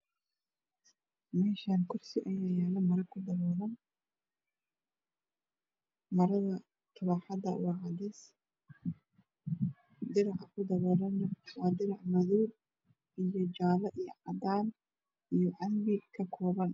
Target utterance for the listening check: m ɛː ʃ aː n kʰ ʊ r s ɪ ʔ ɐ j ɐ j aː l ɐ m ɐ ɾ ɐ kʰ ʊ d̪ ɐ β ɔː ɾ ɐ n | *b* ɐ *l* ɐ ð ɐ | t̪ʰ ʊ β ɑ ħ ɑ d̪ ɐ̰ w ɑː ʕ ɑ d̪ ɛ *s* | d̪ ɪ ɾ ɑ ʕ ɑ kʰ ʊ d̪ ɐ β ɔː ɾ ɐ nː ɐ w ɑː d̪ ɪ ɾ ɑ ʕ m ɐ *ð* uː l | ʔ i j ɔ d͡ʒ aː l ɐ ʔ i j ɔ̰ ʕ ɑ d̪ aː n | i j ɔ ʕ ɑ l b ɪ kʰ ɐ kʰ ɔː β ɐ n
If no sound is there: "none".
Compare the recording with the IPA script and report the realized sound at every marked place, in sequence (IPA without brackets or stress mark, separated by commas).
m, ɾ, s, ð